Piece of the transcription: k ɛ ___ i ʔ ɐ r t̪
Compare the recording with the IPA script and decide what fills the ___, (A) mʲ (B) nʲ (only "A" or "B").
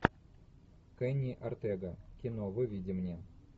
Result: B